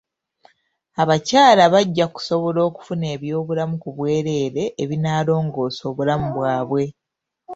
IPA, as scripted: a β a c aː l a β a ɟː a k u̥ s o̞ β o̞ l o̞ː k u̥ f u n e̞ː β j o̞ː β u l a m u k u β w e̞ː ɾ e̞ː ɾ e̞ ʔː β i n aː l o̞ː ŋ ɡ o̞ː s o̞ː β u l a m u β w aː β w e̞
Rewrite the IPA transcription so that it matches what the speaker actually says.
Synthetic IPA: a β a c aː l a β a ɟː a k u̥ s o̞ β o̞ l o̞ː k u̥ f u n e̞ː β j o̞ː β u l a m u k u β w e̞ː ɾ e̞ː ɾ e̞ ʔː β i n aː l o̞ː ŋ ɡ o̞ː s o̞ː β u l a m u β w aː β w e̞